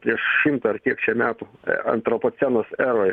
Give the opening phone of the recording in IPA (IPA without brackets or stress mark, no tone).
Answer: pʲ